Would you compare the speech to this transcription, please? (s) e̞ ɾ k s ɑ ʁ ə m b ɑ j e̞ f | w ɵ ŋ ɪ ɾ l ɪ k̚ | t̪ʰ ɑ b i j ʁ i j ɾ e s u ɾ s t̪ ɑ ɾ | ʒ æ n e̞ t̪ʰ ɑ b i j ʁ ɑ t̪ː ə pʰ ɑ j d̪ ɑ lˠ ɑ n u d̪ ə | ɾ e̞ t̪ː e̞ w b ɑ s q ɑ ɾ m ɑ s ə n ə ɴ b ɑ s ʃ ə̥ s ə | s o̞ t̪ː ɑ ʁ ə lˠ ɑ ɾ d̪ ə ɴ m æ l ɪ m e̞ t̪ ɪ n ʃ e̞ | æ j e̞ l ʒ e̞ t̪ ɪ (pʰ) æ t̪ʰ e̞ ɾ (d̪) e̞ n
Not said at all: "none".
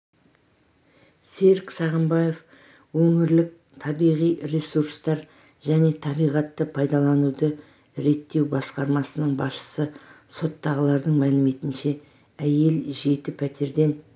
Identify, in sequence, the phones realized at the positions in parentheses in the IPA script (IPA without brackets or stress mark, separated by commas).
s, pʰ, d̪